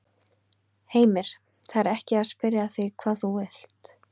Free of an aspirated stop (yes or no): no